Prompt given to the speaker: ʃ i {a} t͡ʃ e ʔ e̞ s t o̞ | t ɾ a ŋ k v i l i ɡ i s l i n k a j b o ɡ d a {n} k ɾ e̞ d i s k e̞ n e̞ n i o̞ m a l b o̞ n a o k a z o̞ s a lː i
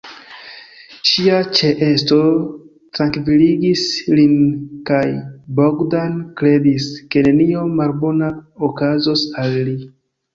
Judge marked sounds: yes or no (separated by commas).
yes, yes